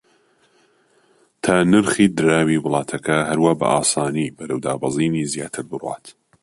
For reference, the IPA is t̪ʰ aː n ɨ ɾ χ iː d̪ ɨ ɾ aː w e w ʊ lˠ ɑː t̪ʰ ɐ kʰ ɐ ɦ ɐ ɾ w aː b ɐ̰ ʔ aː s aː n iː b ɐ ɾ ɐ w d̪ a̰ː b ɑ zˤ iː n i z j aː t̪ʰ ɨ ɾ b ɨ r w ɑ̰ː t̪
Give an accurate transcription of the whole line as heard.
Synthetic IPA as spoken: t̪ʰ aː n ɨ ɾ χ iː d̪ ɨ ɾ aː w i w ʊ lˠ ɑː t̪ʰ ɐ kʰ ɐ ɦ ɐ ɾ w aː b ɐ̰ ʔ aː s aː n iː b ɐ ɾ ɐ w d̪ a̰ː b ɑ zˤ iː n i z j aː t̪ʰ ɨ ɾ b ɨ r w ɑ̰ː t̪